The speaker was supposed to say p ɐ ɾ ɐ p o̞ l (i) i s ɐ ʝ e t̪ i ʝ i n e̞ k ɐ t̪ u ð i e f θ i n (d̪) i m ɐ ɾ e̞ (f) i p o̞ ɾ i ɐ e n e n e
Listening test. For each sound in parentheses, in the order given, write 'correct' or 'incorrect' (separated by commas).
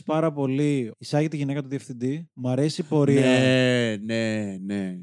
correct, correct, incorrect